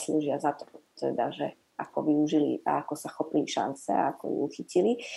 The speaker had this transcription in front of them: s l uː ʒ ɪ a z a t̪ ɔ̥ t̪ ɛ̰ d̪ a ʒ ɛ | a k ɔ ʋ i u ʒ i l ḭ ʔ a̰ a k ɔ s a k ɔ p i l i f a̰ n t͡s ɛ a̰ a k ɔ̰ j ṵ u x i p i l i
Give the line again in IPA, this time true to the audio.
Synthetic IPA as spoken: s l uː ʒ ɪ a z a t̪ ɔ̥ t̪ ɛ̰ d̪ a ʒ ɛ | a k ɔ ʋ i u ʒ i l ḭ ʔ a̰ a k ɔ s a x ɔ p i l i ʃ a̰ n t͡s ɛ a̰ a k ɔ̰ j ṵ u x i c i l i